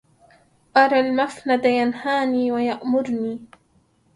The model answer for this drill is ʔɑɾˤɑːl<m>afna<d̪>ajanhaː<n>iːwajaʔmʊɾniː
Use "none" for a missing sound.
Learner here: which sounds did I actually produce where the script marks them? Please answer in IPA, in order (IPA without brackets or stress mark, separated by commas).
m, d̪, n